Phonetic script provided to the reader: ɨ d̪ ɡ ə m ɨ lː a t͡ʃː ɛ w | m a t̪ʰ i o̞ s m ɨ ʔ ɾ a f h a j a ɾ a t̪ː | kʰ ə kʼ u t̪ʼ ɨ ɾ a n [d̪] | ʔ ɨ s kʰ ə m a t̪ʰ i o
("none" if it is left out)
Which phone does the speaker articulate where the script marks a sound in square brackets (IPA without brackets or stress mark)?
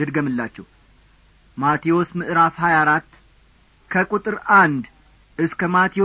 d̪